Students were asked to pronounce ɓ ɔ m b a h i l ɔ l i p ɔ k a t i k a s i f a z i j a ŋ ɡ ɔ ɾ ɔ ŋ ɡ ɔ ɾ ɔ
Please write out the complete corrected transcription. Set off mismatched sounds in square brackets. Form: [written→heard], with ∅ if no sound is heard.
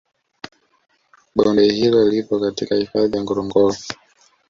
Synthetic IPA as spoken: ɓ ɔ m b [a→ɛ] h i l ɔ l i p ɔ k a t i k a [s→h] i f a [z→ð] i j a ŋ ɡ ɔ ɾ ɔ ŋ ɡ ɔ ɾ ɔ